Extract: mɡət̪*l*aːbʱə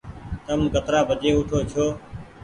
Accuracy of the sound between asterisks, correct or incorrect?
incorrect